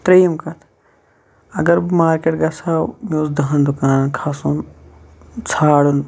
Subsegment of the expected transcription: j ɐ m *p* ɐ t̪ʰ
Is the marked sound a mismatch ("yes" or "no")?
yes